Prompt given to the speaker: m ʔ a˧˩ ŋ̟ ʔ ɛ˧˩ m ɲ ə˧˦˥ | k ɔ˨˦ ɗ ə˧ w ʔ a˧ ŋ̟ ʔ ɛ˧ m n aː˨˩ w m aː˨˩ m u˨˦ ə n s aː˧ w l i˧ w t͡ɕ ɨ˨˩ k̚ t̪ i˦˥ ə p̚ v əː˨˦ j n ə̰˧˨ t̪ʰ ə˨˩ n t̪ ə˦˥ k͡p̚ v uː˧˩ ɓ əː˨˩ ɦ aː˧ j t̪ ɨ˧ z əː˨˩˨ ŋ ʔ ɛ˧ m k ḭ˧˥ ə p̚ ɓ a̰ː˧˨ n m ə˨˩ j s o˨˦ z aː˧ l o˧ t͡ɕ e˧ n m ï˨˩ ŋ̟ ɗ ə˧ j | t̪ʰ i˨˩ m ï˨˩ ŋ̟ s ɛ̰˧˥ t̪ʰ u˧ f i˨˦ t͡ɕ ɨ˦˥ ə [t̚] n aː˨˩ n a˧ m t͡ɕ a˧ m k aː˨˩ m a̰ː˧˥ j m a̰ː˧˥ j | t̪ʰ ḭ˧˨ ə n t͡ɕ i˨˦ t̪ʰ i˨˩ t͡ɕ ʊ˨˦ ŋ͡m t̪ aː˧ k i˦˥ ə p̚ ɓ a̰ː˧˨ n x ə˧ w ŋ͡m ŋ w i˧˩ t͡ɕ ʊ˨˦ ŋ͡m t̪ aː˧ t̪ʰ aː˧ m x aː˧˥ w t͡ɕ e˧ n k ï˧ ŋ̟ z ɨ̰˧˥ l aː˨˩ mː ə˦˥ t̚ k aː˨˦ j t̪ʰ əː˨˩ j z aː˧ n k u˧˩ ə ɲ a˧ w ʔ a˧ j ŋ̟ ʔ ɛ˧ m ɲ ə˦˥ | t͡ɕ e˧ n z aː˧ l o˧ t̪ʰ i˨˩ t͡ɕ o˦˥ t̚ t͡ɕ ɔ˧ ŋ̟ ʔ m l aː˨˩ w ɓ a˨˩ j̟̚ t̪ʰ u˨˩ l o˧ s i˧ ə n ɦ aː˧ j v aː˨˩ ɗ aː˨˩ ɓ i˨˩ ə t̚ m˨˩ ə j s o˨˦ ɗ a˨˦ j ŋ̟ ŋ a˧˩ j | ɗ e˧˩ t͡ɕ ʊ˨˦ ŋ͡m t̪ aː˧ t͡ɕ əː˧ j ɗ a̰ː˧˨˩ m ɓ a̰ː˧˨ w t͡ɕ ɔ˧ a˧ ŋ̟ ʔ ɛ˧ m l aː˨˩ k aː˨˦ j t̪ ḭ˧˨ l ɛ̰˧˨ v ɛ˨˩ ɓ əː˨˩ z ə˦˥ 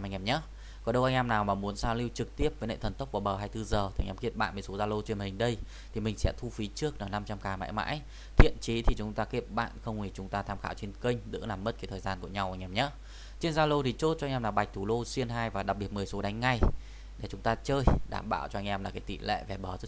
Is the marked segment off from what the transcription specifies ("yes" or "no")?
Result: yes